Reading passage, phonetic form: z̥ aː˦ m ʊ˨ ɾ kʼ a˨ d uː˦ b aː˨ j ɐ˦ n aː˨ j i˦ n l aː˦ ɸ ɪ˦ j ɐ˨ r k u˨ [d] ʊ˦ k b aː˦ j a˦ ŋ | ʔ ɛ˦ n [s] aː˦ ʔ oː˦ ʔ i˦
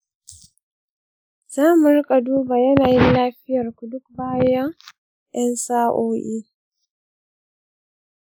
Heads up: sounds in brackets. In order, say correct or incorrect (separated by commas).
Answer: correct, correct